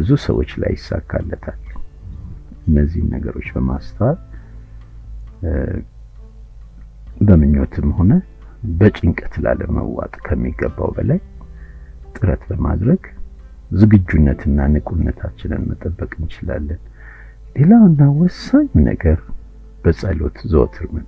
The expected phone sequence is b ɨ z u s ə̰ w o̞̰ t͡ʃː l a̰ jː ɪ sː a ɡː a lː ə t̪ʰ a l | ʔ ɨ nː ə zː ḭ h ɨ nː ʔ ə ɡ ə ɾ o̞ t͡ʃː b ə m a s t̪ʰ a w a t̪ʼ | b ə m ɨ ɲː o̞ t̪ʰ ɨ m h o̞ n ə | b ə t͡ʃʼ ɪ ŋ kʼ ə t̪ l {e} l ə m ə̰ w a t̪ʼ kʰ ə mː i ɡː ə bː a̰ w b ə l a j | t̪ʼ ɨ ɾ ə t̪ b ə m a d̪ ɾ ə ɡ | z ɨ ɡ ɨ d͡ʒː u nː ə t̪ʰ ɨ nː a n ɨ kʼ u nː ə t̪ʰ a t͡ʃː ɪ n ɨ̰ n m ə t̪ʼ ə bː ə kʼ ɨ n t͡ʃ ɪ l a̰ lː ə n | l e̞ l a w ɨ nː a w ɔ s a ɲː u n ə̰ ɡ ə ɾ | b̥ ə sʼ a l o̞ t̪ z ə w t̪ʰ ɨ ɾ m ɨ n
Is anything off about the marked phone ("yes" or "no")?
yes